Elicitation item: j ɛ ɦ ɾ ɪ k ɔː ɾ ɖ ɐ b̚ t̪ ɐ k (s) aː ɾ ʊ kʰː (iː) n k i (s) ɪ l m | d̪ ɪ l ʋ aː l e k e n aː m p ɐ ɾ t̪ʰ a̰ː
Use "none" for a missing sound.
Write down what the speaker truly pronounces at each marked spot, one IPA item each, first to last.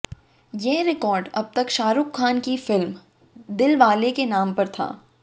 ʃ, aː, f

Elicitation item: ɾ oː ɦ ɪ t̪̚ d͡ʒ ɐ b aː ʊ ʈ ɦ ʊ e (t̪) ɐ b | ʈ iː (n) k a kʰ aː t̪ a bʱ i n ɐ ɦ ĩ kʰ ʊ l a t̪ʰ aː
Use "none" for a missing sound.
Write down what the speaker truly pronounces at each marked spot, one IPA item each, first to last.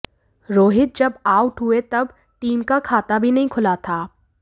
t̪, m

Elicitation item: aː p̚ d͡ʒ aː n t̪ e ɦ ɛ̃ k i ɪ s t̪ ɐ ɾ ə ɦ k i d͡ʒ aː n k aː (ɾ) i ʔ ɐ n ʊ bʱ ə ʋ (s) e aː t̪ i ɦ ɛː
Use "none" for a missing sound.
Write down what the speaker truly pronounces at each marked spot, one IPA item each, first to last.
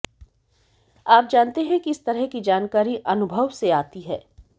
ɾ, s

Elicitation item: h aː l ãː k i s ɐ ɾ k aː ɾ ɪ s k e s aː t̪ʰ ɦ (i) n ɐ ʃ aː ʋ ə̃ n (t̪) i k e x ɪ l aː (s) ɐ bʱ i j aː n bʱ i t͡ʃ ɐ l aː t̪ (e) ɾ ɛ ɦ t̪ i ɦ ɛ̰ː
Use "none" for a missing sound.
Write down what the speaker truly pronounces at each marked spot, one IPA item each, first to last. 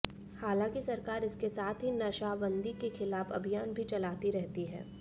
i, d̪, f, i

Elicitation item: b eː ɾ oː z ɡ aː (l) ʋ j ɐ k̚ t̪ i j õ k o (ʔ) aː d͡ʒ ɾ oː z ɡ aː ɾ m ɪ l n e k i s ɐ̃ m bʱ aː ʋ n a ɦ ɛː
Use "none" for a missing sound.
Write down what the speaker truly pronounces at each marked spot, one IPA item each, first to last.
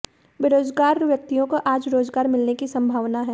ɾ, ʔ

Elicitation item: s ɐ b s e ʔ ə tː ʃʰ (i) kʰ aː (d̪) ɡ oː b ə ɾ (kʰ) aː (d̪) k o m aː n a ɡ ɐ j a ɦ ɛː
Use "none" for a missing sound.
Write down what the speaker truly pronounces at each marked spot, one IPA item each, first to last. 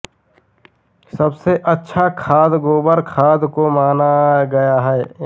a, d̪, kʰ, d̪

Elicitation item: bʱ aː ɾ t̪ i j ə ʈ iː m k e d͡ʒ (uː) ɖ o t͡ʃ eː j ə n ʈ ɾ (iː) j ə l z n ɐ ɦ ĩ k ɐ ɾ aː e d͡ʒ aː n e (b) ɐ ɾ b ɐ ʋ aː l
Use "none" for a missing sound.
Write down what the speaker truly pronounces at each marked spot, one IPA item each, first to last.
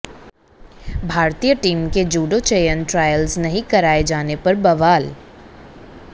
uː, aː, p

